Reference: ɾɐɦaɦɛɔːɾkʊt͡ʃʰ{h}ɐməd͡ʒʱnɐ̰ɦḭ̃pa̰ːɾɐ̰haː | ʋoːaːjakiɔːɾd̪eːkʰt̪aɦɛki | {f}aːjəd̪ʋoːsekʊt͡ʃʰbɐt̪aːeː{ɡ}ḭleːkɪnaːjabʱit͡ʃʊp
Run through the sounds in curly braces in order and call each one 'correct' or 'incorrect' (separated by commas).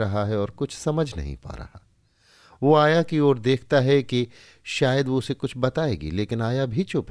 incorrect, incorrect, correct